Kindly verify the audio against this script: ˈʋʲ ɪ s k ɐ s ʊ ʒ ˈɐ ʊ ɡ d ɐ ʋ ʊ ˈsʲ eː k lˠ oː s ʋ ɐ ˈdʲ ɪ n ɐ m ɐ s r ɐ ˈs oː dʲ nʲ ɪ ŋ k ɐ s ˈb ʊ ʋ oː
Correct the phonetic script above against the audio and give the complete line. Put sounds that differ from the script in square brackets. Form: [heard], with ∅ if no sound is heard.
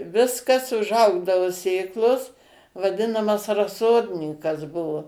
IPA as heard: ˈʋʲ ɪ s k ɐ s ʊ ʒ ˈɐ ʊ ɡ d ɐ ʋ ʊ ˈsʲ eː k lˠ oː s ʋ ɐ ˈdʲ ɪ n ɐ m ɐ s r ɐ ˈs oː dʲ nʲ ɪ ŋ k ɐ s ˈb ʊ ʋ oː